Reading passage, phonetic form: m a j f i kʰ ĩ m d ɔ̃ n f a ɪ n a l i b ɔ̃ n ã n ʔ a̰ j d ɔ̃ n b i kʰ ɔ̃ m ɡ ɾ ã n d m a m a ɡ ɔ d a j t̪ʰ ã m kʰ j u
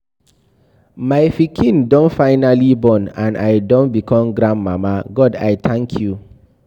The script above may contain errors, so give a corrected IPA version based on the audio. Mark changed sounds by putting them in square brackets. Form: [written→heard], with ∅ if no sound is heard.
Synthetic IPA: m a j f i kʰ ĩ [m→n] d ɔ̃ n f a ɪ n a l i b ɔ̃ n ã n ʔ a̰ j d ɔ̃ n b i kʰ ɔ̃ m ɡ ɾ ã n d m a m a ɡ ɔ d a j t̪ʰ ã [m→ŋ] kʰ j u